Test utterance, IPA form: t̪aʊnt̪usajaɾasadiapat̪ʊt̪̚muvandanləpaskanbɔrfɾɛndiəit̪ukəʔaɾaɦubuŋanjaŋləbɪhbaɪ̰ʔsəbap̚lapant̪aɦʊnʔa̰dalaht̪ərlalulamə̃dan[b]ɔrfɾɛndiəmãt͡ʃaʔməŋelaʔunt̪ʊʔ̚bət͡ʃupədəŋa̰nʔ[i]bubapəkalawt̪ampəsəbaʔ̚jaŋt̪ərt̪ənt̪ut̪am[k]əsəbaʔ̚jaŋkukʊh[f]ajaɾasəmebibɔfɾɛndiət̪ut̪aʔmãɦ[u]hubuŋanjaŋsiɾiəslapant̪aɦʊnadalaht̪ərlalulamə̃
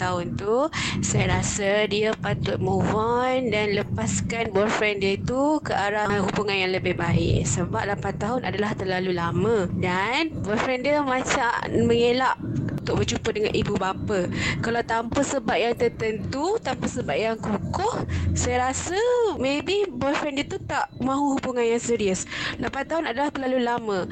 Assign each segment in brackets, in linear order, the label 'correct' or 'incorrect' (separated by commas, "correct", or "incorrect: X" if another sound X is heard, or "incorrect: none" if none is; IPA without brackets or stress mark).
correct, correct, incorrect: p, incorrect: s, correct